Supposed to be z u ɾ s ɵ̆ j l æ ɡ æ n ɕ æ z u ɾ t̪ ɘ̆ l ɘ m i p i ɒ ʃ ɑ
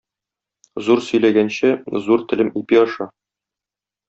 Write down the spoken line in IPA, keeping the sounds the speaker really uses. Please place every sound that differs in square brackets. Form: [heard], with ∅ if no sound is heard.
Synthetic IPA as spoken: z u ɾ s ɵ̆ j l æ ɡ æ n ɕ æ z u ɾ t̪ ɘ̆ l ɘ m i p i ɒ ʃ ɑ